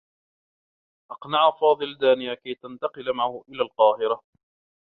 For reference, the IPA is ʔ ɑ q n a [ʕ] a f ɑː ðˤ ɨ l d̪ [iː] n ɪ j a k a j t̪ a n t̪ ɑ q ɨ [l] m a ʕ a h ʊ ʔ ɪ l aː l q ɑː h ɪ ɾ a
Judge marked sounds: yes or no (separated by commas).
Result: yes, no, yes